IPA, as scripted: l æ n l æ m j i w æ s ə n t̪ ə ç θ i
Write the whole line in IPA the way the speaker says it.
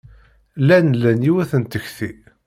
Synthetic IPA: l æ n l æ n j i w æ θ ə n t̪ ə ç θ i